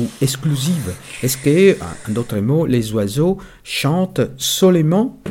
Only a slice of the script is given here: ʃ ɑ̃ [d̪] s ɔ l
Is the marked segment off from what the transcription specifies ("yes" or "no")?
yes